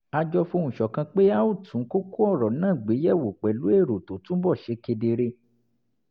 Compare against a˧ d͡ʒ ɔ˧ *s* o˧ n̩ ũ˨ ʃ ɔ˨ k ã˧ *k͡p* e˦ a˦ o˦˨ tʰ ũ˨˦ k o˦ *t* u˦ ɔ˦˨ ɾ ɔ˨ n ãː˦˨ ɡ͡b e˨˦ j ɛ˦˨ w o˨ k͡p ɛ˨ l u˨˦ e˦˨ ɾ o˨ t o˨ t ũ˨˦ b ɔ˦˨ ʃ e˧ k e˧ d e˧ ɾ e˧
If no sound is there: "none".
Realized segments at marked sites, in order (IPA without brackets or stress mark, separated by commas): f, k͡p, k